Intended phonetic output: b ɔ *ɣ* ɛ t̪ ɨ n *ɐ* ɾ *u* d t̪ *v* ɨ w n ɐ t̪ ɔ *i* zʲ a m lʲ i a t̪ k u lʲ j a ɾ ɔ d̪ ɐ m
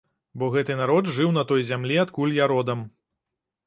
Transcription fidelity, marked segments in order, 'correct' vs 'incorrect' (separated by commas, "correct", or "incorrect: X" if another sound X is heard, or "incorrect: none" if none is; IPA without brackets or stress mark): correct, incorrect: a, incorrect: ɔ, incorrect: ʐ, incorrect: j